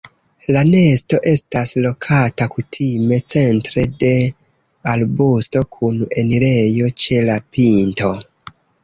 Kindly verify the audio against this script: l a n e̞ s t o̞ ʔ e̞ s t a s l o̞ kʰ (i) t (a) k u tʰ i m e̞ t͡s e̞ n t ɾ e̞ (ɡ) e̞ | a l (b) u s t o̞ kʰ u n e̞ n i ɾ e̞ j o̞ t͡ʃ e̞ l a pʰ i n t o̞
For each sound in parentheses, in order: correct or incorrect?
incorrect, correct, incorrect, correct

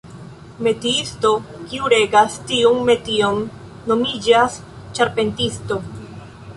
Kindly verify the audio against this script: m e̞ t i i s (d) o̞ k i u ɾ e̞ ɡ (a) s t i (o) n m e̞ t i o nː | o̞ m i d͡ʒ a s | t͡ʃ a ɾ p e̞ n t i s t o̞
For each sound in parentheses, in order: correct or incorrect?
incorrect, correct, incorrect

